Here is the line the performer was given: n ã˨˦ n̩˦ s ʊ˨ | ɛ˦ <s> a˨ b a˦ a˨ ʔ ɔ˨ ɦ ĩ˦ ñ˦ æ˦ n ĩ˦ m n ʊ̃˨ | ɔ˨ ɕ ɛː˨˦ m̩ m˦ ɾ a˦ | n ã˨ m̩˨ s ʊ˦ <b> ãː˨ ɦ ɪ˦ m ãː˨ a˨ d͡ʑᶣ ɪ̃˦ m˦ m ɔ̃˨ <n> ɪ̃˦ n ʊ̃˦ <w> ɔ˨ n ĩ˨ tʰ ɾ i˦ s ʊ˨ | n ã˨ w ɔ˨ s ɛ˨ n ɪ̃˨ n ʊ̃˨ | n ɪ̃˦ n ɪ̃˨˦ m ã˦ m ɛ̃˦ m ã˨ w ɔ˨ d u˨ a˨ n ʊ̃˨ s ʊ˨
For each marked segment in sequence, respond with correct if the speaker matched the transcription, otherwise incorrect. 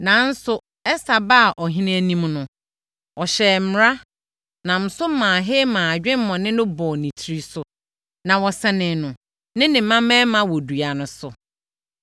correct, incorrect: m, correct, incorrect: b

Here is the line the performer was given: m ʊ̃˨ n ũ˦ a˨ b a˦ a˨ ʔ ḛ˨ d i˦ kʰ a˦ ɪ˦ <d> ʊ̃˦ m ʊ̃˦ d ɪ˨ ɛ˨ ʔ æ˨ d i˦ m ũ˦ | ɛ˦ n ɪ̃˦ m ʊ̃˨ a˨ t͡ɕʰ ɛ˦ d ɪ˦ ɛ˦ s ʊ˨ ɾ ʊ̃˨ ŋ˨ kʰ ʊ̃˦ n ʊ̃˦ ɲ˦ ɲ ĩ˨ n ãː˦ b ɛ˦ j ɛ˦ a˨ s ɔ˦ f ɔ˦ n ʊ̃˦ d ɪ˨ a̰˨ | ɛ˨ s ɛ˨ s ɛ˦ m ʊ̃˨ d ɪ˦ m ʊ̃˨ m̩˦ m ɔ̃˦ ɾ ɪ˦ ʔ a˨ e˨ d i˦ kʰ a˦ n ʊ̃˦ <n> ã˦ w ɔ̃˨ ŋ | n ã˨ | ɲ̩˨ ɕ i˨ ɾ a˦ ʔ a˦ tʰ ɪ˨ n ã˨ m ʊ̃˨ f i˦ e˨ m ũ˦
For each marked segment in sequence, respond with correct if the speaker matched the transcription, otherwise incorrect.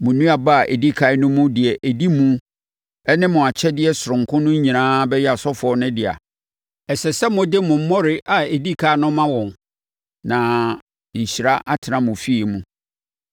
incorrect: n, incorrect: m

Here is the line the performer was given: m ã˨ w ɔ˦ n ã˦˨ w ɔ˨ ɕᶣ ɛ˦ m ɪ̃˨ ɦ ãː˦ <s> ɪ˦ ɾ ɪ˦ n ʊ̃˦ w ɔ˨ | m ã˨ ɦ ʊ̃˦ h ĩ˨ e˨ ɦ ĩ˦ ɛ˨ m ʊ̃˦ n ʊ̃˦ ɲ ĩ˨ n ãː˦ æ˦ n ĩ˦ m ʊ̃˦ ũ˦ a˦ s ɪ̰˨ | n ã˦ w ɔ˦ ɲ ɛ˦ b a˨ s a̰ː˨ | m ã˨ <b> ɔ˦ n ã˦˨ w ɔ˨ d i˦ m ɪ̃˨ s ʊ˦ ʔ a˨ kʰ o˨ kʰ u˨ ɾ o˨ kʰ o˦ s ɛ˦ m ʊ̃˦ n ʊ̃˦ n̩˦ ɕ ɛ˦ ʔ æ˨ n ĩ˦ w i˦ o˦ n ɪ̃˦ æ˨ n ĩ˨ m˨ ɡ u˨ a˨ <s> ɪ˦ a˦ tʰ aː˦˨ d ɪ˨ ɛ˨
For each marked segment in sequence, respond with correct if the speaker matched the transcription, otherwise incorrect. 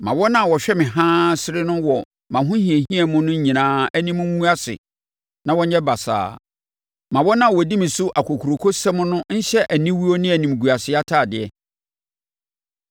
correct, incorrect: w, correct

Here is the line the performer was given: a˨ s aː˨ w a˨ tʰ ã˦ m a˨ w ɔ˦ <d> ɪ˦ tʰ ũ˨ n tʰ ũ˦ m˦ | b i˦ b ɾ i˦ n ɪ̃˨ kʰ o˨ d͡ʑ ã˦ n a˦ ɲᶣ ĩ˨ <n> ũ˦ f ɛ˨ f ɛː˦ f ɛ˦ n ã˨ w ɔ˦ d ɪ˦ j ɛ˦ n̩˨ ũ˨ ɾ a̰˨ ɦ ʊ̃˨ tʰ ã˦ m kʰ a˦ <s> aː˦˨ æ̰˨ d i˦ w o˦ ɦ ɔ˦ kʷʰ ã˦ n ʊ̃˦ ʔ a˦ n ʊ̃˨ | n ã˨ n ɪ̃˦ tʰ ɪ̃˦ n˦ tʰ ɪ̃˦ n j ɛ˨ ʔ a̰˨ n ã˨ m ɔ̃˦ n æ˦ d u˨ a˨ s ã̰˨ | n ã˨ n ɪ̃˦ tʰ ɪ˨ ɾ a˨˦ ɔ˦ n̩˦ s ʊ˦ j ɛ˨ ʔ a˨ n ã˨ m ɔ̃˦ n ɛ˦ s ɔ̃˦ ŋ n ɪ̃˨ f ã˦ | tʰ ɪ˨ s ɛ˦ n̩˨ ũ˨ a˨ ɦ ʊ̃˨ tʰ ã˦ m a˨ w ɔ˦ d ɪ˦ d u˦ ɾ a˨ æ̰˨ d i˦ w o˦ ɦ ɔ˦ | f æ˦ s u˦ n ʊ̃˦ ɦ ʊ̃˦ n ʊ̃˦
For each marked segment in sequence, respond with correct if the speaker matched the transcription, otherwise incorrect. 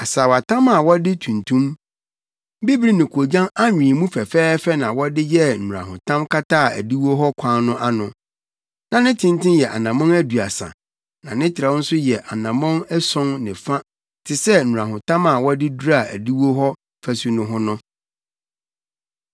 correct, incorrect: m, incorrect: t

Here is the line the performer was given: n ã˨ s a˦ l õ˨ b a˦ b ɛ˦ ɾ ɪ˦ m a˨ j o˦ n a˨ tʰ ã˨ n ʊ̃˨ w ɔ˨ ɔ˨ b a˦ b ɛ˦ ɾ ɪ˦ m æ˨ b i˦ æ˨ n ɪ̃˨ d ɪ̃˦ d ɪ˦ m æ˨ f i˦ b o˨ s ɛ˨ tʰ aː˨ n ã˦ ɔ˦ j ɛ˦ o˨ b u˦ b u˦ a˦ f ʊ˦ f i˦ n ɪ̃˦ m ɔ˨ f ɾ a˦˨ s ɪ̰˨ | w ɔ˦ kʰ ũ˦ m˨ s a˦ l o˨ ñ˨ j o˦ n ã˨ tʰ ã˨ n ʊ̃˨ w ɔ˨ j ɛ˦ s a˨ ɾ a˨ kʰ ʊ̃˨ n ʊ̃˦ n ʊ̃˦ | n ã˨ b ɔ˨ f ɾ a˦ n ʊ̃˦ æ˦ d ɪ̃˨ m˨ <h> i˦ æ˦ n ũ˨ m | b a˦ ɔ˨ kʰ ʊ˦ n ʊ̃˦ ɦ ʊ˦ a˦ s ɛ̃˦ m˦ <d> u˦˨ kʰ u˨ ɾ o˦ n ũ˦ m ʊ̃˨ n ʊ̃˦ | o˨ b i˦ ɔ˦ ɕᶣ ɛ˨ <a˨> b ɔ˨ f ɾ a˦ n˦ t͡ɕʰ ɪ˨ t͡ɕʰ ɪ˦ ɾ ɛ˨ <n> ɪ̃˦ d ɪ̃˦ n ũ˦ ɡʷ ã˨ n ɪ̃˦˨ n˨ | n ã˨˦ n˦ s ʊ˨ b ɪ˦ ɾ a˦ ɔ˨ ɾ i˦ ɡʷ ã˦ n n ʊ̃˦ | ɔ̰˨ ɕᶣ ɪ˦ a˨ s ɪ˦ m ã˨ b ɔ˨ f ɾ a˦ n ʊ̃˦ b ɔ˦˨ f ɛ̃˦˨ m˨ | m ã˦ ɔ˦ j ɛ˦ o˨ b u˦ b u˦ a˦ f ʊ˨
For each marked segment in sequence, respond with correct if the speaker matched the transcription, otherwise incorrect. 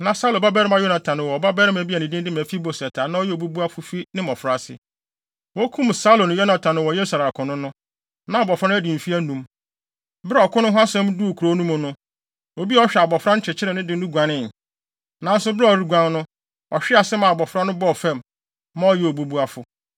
incorrect: f, correct, correct, correct

